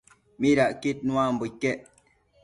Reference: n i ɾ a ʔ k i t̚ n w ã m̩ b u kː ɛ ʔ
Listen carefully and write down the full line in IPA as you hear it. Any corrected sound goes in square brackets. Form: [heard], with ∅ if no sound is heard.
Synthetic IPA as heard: [m] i ɾ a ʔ k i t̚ n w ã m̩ b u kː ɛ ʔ